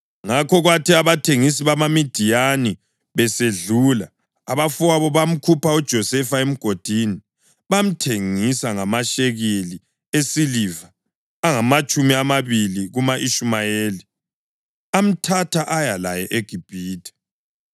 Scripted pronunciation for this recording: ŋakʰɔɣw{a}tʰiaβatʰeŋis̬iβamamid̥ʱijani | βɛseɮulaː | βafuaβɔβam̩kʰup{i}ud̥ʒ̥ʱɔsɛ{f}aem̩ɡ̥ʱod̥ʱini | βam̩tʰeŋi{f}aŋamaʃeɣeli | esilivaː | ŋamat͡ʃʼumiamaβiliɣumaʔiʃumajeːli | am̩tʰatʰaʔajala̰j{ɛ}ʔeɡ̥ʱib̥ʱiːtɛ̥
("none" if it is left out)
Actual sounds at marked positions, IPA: a, a, f, s, ɛ

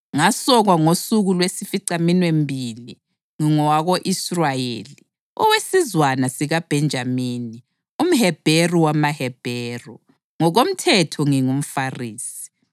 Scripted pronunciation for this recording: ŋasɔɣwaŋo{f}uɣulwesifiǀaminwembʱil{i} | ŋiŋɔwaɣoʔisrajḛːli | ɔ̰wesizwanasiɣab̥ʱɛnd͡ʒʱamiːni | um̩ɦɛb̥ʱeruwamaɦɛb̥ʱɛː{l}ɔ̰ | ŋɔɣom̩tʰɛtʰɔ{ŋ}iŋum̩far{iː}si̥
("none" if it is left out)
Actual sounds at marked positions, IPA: s, i, r, ŋ, iː

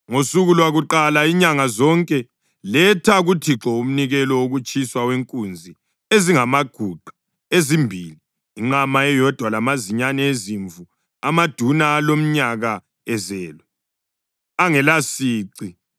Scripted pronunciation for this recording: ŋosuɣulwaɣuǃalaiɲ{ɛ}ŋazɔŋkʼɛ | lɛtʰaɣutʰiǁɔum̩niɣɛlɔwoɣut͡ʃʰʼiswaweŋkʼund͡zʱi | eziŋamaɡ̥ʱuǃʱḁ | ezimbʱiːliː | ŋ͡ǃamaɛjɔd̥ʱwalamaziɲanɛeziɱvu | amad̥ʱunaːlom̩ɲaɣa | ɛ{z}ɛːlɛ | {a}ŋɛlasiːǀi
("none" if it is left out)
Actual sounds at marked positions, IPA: a, z, a

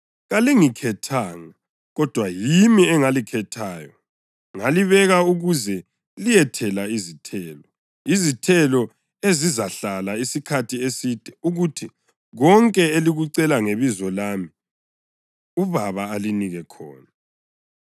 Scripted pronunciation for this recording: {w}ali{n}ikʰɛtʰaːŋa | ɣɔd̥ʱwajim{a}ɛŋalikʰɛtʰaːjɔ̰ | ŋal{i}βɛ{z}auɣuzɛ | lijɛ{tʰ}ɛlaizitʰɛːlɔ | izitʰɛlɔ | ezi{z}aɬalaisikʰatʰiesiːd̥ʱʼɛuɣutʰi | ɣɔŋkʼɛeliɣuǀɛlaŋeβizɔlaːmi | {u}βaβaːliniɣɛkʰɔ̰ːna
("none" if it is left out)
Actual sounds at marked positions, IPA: ɣ, ŋ, i, i, ɣ, tʰ, z, u

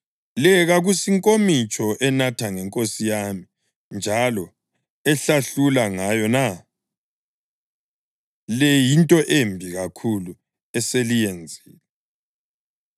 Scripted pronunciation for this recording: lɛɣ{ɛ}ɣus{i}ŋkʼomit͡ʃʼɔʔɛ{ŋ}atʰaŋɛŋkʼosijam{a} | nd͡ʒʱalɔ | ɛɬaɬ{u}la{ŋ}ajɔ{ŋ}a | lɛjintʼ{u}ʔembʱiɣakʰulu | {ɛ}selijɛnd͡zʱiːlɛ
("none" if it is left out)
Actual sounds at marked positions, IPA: a, i, n, i, u, ŋ, n, ɔ, ɛ

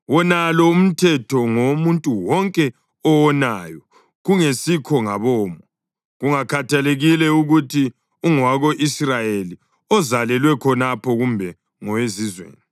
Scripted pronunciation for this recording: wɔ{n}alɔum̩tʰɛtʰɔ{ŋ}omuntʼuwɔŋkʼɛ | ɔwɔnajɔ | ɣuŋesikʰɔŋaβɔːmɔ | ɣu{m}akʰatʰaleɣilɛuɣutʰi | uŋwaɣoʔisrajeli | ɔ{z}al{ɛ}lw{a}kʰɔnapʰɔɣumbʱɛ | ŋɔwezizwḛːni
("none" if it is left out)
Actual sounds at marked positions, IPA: n, ŋ, ŋ, z, ɛ, ɛ

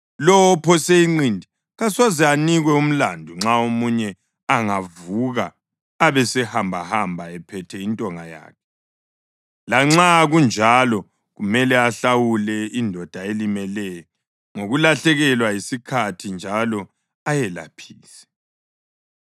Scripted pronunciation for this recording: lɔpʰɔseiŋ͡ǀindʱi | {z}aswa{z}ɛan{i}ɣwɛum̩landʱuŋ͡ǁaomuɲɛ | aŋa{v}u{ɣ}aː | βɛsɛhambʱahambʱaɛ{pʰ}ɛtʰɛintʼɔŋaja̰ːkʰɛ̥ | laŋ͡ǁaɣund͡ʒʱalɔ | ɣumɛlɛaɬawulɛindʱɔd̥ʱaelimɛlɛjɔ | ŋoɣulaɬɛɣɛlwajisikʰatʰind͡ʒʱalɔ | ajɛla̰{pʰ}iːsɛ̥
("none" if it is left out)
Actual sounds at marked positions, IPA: ɣ, z, i, v, ɣ, pʰ, pʰ

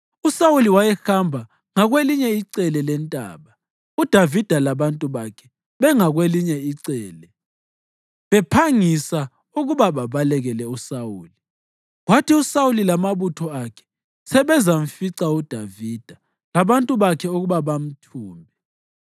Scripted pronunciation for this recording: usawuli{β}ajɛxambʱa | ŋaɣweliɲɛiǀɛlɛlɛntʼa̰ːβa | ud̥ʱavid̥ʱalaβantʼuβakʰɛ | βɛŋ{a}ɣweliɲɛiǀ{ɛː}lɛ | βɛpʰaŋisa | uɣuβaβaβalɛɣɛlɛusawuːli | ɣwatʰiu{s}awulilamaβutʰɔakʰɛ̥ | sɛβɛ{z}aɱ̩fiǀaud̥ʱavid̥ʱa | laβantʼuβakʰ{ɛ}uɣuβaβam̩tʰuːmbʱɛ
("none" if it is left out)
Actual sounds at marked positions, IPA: w, a, ɛː, s, z, ɛ

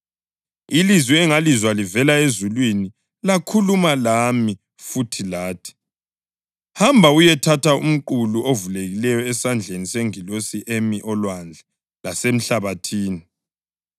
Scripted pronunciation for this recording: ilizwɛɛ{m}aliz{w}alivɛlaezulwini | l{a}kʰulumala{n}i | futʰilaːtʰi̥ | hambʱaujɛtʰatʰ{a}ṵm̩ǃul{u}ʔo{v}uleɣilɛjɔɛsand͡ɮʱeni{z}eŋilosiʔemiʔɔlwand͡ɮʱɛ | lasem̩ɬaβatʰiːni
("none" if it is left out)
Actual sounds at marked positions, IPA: ŋ, w, a, m, a, u, v, s

